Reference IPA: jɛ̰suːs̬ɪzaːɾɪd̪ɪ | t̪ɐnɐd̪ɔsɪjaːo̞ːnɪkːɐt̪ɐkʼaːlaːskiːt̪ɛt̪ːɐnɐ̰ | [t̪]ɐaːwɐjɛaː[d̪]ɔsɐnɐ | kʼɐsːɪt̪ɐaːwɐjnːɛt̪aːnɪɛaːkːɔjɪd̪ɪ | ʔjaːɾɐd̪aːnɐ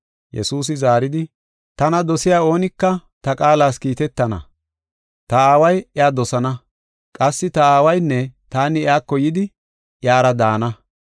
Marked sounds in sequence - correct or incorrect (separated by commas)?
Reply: correct, correct